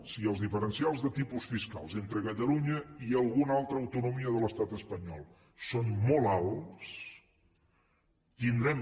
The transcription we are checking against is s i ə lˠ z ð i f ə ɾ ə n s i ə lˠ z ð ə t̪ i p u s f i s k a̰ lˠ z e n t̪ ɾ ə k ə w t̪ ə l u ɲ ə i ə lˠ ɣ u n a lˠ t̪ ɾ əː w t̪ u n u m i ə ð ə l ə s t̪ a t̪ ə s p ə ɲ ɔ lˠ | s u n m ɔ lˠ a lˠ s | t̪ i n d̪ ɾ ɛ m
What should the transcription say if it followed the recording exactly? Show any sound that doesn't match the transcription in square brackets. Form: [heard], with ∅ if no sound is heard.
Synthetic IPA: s i ə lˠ z ð i f ə ɾ ə n s i [a] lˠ z ð ə t̪ i p u s f i s k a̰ lˠ z e n t̪ ɾ ə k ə [∅] t̪ ə l u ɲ ə i ə lˠ ɣ u n a lˠ t̪ ɾ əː w t̪ u n u m i ə ð ə l ə s t̪ a t̪ ə s p ə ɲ ɔ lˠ | s [o] n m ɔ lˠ a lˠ s | t̪ i n d̪ ɾ ɛ m